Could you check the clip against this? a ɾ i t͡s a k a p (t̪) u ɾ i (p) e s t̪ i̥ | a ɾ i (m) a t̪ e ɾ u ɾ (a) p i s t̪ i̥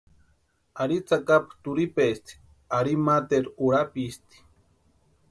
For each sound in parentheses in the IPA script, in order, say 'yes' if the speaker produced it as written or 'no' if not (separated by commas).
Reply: yes, yes, yes, yes